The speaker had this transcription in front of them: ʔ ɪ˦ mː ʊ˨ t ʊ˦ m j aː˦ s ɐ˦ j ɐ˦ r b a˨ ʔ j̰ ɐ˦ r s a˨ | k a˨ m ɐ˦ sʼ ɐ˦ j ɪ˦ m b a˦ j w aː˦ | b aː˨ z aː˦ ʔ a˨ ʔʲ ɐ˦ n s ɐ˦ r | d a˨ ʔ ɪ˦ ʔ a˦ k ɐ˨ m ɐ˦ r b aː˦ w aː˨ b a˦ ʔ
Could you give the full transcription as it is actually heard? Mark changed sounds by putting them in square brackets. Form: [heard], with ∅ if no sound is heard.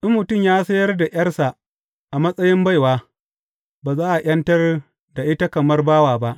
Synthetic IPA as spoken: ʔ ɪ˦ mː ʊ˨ t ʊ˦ m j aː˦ s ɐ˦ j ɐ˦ r [d] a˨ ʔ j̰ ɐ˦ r s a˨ | [ʔ] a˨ m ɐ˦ sʼ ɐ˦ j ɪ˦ m b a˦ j w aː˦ | b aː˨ z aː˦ ʔ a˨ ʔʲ ɐ˦ n [t] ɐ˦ r | d a˨ ʔ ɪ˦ [t] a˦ k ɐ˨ m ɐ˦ r b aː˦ w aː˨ b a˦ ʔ

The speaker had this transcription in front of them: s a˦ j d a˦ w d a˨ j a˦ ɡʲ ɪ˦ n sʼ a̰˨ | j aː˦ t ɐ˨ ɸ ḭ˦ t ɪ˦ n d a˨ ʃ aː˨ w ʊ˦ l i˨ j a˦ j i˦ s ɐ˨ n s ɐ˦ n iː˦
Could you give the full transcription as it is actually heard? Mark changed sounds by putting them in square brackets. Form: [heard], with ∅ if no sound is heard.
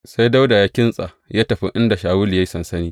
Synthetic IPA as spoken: s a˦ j d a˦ w d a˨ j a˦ [kʲ] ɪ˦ n sʼ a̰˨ | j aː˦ t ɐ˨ ɸ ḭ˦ [ʔ] ɪ˦ n d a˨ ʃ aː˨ w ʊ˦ l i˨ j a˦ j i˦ s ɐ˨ n s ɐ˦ n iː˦

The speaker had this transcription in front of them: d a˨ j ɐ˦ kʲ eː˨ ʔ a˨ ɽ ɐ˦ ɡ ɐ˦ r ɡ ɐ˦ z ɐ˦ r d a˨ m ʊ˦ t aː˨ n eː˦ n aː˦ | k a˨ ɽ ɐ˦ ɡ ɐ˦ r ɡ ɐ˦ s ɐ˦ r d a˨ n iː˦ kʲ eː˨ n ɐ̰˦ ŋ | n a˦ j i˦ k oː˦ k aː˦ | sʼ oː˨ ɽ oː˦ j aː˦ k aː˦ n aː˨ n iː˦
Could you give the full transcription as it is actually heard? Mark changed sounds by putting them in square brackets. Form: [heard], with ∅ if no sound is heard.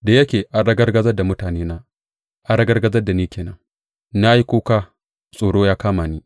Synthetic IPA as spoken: d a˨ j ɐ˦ kʲ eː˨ ʔ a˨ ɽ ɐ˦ ɡ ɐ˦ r ɡ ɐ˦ z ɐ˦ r d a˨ m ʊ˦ t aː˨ n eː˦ n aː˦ | [ʔ] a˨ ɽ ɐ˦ ɡ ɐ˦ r ɡ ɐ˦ [z] ɐ˦ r d a˨ n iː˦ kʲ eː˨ n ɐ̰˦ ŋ | n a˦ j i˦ k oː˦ k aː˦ | sʼ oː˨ ɽ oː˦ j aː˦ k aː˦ [m] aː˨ n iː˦

